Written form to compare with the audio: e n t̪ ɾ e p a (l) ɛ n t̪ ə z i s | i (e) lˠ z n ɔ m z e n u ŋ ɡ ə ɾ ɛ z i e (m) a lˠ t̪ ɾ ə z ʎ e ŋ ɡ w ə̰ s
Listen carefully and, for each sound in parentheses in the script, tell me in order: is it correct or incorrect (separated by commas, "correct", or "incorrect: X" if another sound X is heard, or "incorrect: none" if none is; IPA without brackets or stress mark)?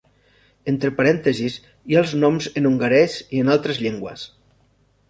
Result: incorrect: ɾ, incorrect: a, incorrect: n